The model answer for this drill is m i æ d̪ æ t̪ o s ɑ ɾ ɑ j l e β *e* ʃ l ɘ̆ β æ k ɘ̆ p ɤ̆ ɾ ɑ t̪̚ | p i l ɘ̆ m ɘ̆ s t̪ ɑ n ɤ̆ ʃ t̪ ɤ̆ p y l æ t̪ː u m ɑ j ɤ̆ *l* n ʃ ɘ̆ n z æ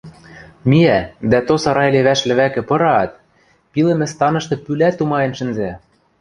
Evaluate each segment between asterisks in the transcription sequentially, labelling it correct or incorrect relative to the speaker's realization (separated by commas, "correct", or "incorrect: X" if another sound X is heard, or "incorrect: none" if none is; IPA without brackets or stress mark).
incorrect: æ, incorrect: none